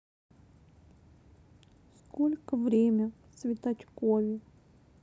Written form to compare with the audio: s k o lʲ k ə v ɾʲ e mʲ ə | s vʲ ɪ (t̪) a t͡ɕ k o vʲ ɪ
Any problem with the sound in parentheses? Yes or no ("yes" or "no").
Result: no